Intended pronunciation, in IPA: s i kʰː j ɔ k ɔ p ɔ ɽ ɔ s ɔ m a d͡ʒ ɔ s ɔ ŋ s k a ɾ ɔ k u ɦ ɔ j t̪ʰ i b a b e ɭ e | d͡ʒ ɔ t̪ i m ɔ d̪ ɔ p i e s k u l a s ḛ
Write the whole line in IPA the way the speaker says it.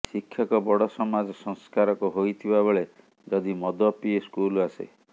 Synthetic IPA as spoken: s i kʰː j ɔ k ɔ b ɔ ɽ ɔ s ɔ m a d͡ʒ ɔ s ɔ ŋ s k a ɾ ɔ k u ɦ o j t̪ʰ i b a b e ɭ e | d͡ʒ ɔ d̪ i m ɔ d̪ ɔ p i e s k u l a s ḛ